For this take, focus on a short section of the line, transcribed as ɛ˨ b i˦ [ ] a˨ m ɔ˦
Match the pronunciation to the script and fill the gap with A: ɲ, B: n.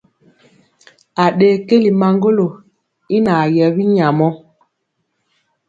A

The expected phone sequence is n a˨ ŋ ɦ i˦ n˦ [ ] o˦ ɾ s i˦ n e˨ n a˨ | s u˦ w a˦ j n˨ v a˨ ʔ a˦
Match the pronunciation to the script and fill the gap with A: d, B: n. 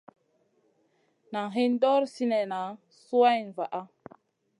A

